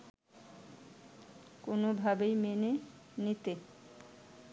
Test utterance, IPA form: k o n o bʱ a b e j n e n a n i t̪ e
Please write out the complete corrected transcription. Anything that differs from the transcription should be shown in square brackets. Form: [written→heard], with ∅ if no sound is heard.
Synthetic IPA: k o n o bʱ a b e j [n→m] e n [a→e] n i t̪ e